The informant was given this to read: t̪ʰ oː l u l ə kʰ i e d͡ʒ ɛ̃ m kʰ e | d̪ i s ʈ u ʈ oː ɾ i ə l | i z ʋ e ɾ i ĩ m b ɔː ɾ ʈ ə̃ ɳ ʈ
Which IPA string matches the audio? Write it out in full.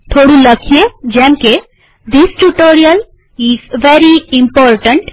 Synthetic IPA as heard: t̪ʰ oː ɽ u l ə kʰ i e d͡ʒ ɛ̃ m k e | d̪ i s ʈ u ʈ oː ɾ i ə l | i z ʋ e ɾ i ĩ m p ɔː ɾ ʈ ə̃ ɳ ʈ